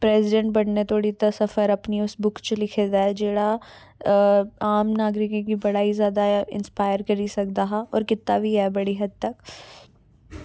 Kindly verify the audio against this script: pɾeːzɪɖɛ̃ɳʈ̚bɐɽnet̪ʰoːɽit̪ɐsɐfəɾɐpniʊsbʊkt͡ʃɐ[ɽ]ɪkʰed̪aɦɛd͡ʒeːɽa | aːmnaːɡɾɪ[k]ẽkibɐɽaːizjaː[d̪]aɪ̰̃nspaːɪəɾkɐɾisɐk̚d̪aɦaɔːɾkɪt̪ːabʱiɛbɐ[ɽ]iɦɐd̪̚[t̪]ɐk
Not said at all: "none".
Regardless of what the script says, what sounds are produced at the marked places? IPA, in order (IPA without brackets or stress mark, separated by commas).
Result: l, k, d̪, ɽ, t̪